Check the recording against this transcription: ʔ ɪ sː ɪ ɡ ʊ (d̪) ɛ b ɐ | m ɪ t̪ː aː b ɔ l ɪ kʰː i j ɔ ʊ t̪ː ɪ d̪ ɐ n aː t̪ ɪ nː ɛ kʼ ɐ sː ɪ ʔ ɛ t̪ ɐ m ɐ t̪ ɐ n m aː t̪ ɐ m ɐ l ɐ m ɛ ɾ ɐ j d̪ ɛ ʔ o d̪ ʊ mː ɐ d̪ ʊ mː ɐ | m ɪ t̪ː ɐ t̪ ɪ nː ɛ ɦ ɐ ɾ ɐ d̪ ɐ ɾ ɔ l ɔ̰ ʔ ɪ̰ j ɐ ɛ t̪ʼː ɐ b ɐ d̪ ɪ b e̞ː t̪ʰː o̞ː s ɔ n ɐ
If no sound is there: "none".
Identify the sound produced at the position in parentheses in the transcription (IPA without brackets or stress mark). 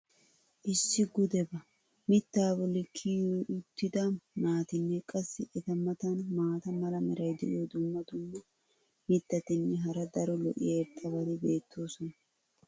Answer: d̪